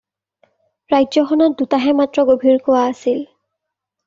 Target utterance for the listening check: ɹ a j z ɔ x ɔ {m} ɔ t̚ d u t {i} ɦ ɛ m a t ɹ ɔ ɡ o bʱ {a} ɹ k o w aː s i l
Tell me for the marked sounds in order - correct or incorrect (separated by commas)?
incorrect, incorrect, incorrect